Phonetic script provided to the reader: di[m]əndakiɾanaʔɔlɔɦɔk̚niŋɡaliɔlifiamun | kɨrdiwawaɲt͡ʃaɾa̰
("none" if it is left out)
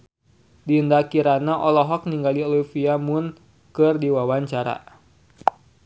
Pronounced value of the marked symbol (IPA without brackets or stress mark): none